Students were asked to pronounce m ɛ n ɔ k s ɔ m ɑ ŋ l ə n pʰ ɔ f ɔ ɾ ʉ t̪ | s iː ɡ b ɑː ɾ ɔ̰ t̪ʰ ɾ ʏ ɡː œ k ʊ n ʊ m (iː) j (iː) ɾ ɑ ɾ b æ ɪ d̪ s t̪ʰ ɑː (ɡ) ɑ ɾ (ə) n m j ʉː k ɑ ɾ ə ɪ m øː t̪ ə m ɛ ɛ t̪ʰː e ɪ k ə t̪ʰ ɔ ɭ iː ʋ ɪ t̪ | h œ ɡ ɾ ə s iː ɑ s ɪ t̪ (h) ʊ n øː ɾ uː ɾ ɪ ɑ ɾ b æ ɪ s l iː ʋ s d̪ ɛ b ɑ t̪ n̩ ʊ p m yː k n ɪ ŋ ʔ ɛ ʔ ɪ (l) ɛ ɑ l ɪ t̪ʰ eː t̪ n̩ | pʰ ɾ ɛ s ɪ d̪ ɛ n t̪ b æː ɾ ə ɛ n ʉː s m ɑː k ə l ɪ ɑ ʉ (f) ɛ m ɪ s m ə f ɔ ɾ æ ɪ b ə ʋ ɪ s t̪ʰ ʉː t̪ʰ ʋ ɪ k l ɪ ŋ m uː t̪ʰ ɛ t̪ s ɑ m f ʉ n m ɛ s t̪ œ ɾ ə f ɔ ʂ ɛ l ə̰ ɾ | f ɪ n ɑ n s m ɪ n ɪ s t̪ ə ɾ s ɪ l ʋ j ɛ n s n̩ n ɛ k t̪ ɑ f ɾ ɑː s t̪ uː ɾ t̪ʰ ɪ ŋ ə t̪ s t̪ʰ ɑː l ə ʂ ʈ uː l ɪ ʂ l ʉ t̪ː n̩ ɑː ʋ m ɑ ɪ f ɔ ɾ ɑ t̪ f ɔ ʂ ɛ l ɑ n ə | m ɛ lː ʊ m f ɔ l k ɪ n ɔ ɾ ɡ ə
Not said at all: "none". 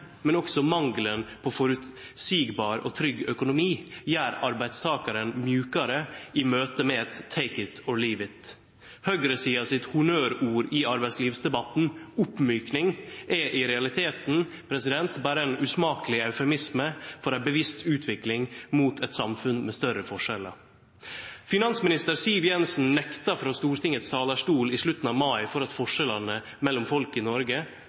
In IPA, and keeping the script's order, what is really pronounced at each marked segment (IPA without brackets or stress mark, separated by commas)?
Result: iː, æː, k, ə, h, ɾ, f